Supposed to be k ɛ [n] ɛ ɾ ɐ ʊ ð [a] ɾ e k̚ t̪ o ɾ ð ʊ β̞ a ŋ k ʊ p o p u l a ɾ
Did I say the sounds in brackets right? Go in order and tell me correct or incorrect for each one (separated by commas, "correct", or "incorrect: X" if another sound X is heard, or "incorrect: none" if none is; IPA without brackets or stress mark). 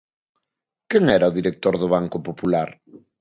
incorrect: ŋ, incorrect: i